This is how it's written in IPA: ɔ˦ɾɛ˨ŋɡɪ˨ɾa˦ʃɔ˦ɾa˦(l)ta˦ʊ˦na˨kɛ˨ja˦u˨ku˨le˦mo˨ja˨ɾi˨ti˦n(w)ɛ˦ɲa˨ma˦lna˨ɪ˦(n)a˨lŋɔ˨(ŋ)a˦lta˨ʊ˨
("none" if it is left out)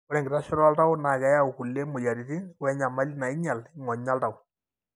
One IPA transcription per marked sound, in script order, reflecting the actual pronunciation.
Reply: l, w, ɲ, ɲ

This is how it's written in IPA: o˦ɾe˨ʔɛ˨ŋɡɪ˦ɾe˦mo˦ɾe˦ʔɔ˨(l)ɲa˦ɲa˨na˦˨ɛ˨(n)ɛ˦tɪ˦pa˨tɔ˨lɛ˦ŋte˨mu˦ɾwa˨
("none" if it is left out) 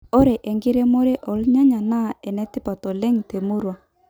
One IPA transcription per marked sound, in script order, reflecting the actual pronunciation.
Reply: l, n

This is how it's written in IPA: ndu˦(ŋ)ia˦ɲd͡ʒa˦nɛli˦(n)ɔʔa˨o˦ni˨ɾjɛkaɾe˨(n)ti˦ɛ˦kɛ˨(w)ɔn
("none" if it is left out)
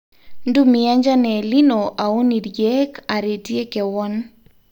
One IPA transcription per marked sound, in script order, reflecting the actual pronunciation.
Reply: m, n, none, w

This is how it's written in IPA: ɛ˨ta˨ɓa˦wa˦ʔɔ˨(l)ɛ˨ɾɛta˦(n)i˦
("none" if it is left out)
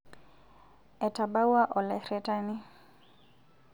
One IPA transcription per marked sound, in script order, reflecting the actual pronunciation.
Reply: l, n

